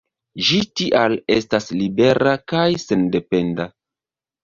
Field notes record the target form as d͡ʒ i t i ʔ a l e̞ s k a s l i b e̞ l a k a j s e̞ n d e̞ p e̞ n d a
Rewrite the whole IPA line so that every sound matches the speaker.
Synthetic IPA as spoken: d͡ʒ i t i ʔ a l e̞ s t a s l i b e̞ ɾ a k a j s e̞ n d e̞ p e̞ n d a